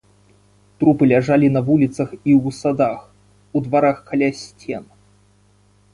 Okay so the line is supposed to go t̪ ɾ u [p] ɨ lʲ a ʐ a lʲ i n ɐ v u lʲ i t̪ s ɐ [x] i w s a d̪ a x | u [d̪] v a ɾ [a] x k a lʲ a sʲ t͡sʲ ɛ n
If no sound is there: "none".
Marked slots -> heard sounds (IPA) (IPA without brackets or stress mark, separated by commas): p, x, d̪, a